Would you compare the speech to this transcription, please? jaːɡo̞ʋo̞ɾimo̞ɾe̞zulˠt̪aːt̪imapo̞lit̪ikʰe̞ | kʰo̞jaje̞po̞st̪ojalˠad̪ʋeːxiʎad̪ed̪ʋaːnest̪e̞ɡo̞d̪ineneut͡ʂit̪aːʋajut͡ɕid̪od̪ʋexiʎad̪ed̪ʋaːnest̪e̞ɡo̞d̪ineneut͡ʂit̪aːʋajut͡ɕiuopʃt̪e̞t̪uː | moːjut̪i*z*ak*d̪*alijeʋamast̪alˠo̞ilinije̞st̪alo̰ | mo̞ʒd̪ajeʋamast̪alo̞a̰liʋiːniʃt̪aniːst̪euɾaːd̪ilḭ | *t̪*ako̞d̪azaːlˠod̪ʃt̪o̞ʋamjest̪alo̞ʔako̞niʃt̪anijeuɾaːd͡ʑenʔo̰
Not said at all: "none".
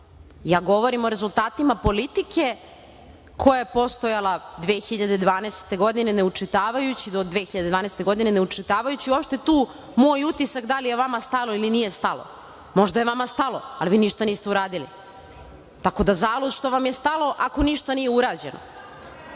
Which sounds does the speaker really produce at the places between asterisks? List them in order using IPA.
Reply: s, d̪, t̪

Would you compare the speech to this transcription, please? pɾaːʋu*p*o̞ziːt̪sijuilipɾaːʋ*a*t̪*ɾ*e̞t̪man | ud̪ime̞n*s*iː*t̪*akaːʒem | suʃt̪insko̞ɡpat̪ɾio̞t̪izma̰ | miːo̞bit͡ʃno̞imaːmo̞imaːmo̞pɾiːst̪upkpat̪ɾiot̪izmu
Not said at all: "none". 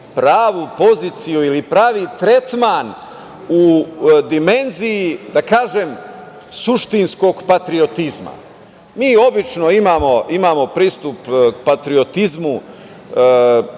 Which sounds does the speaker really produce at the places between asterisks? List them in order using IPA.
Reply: p, i, ɾ, z, d̪

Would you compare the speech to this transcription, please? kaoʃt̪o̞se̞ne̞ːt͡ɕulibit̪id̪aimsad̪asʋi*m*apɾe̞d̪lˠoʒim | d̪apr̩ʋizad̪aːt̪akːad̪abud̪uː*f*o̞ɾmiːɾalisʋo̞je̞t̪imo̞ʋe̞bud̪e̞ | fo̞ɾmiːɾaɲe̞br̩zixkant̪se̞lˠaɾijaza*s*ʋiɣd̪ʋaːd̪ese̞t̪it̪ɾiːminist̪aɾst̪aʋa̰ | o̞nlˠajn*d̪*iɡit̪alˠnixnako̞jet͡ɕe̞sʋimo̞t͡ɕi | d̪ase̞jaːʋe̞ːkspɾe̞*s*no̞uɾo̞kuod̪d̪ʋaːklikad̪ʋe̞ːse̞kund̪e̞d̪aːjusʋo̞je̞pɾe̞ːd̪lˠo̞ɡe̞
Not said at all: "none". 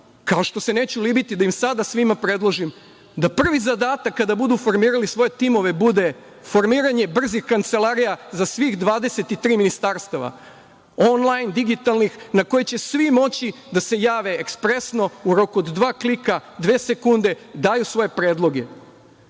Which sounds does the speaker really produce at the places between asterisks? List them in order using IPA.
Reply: m, f, s, d̪, s

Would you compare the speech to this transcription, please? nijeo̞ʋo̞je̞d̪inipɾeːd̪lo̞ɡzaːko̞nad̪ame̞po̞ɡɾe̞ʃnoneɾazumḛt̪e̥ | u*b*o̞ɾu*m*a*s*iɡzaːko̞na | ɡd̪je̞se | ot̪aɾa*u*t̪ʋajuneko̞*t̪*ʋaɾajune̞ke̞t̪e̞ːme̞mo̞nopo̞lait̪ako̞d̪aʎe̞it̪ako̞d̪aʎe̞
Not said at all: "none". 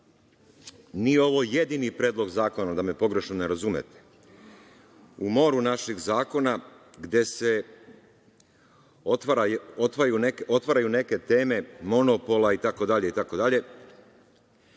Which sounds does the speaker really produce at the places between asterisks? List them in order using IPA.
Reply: m, n, ʃ, o, t̪

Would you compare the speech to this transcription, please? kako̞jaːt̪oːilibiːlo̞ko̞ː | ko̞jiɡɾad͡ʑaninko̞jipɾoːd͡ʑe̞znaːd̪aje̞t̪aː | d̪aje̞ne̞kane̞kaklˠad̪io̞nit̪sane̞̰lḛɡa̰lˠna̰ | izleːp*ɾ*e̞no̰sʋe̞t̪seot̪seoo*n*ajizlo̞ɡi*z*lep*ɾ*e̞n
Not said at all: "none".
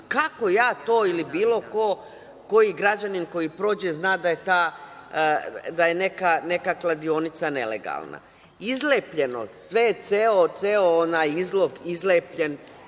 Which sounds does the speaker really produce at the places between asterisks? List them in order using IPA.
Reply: ʎ, n, z, ʎ

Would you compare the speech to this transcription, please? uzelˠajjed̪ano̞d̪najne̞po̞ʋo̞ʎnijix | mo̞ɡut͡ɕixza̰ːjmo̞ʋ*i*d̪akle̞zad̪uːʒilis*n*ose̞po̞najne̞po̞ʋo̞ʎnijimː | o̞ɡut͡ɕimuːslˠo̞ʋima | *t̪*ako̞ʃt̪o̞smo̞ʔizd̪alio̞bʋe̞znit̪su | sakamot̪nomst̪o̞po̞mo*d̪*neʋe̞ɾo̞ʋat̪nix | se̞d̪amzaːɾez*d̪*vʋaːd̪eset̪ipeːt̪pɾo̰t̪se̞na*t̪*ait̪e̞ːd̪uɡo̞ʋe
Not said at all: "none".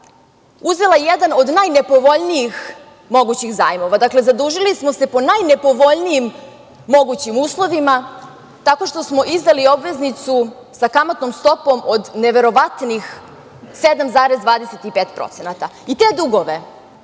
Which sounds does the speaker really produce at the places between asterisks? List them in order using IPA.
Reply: a, m, t̪, d̪, d̪, t̪

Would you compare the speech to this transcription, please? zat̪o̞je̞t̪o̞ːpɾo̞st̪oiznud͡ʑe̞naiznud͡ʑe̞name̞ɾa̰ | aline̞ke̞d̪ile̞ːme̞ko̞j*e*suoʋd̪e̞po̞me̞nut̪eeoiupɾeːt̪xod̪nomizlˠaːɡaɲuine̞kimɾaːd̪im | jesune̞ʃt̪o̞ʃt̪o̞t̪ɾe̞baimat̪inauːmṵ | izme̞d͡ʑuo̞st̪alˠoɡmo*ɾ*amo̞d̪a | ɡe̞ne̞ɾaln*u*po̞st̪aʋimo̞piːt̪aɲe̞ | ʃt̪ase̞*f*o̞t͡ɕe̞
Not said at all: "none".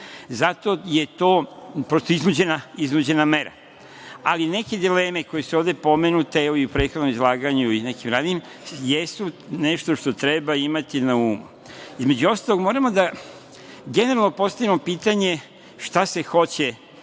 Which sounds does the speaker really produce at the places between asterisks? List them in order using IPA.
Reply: e, ɾ, o, x

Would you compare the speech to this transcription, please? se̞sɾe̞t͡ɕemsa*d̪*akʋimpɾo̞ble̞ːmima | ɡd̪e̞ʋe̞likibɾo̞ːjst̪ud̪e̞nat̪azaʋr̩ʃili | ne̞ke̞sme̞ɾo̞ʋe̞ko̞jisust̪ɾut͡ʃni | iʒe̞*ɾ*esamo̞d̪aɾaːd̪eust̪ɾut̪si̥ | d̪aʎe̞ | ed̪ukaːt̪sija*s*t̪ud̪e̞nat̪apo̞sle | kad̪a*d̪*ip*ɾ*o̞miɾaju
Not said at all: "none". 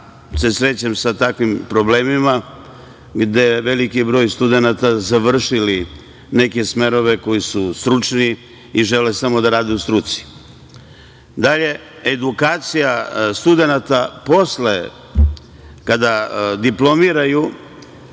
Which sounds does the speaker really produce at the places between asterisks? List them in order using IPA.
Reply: t̪, l, s, d̪, l

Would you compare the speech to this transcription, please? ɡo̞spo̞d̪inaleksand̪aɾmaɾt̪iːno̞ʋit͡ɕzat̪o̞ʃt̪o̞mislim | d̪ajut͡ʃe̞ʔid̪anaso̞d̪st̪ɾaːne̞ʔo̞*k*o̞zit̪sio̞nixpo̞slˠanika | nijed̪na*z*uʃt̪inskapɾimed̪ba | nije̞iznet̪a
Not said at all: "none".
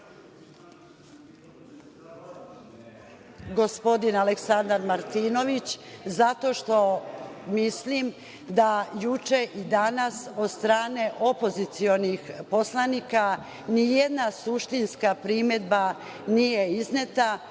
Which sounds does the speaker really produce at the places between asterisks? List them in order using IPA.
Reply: p, s

